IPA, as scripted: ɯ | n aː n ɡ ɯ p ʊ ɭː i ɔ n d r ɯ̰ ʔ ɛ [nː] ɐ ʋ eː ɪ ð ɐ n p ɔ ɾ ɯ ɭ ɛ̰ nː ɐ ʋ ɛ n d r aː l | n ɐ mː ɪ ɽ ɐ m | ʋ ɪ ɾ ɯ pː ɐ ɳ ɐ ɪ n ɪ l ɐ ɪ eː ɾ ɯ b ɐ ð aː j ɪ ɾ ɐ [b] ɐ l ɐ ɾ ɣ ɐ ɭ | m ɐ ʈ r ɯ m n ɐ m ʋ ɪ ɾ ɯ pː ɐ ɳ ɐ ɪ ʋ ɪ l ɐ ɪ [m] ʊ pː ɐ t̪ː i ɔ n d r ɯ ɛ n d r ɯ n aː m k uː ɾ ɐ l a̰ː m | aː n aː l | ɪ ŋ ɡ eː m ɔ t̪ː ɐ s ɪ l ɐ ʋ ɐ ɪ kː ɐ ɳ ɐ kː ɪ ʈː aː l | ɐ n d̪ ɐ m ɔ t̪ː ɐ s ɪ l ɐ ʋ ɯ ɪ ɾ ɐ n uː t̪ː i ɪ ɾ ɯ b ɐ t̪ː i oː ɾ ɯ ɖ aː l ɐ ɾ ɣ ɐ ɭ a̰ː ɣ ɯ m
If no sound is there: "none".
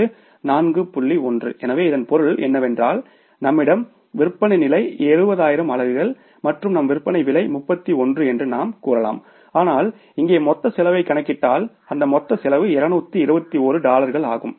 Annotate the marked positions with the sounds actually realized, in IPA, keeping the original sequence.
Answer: n, m, m

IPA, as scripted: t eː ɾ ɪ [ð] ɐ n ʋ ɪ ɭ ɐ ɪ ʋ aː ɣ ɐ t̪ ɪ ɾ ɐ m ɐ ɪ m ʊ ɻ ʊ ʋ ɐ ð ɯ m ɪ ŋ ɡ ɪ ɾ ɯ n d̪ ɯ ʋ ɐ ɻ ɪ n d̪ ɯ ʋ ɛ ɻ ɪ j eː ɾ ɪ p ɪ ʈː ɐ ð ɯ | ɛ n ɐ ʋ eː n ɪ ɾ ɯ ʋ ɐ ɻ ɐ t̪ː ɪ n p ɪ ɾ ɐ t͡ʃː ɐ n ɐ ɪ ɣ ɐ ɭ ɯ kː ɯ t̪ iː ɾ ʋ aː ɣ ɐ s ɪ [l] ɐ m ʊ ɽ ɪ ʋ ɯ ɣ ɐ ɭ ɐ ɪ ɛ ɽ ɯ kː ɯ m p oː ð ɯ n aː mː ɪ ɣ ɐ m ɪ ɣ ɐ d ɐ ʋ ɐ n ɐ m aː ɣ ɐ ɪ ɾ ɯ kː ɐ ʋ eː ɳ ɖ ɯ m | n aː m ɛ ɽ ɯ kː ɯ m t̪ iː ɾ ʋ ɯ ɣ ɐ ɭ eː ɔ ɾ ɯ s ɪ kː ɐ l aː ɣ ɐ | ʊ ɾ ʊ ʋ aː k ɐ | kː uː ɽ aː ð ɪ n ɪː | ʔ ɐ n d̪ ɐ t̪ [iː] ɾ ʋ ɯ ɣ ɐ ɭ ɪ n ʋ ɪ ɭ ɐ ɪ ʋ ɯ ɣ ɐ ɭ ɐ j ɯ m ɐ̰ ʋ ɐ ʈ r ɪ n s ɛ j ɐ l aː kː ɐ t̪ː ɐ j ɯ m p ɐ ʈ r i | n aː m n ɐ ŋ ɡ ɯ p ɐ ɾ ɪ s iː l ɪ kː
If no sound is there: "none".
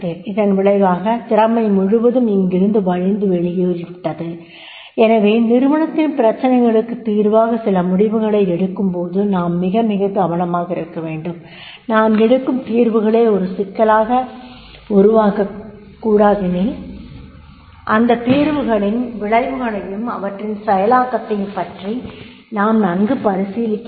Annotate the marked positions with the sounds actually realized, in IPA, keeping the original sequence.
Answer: ð, l, iː

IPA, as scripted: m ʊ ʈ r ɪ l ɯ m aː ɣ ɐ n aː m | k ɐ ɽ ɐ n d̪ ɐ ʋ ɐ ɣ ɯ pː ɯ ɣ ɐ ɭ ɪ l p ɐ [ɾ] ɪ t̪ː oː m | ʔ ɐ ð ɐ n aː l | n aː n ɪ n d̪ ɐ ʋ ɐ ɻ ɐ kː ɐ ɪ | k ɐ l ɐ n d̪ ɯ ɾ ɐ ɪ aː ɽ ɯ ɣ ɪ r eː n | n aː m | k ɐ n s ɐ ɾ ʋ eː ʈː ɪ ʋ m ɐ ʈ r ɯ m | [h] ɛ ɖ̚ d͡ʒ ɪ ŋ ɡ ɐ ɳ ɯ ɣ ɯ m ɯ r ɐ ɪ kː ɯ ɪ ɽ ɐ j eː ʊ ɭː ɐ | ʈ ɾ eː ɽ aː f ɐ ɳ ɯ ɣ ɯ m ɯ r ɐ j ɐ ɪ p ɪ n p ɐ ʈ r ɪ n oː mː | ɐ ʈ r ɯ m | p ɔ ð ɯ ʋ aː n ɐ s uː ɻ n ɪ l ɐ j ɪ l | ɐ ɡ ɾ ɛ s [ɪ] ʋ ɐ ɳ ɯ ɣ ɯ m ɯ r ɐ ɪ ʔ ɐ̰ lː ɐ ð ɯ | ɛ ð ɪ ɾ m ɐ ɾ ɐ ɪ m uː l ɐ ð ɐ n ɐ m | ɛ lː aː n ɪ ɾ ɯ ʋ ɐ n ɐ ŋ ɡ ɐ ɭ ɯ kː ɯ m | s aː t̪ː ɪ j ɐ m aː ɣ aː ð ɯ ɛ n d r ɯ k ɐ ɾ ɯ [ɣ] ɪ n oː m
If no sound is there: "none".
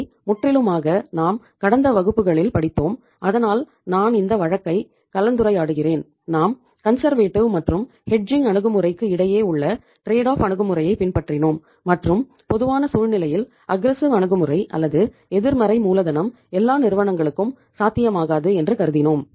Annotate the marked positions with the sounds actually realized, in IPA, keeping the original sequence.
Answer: ɽ, h, ɪ, ð

